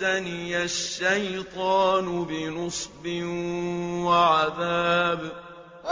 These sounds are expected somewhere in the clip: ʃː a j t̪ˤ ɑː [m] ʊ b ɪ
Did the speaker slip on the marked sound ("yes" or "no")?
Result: yes